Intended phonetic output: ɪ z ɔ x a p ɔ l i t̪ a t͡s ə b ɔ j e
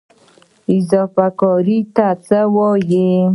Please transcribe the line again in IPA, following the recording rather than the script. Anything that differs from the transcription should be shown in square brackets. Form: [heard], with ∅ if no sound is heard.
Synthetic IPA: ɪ z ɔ [f] a [k] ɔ [ɾ] i t̪ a t͡s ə [w] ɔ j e